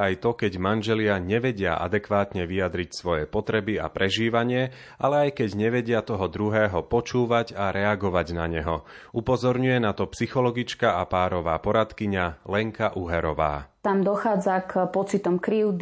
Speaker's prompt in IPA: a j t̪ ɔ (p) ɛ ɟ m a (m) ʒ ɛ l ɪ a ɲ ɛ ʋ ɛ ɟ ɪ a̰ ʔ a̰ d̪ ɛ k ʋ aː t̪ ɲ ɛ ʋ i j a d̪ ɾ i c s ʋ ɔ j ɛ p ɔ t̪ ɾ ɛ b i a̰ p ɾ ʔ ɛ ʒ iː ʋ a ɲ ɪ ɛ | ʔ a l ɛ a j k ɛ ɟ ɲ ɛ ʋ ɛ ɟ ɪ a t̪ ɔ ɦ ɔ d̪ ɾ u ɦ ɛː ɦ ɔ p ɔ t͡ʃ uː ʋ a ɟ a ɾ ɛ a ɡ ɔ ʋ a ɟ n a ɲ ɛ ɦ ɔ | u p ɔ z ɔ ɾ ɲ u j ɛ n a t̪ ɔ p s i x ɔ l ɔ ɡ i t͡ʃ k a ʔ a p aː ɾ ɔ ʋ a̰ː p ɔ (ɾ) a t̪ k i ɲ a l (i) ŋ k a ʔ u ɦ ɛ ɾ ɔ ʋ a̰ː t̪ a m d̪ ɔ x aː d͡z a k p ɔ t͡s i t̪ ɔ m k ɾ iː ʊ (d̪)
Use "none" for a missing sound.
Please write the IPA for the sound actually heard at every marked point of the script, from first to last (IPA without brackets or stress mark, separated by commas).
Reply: k, n, ɾ, ɛ, d̪